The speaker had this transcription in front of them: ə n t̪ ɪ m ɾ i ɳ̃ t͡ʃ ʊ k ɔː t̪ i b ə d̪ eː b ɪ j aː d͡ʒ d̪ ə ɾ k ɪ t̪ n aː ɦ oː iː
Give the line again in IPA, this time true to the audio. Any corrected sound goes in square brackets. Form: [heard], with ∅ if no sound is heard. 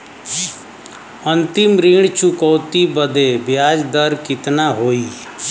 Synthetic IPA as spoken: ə n t̪ ɪ m ɾ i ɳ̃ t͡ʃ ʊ k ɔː t̪ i b ə d̪ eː b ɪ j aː d͡ʒ d̪ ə ɾ k ɪ t̪ n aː ɦ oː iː